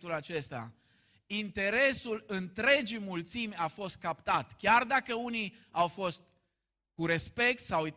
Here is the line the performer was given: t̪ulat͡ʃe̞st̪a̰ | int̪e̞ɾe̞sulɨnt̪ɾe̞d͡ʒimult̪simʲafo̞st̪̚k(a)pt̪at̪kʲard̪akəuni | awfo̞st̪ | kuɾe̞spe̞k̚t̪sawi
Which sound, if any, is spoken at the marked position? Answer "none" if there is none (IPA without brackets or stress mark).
a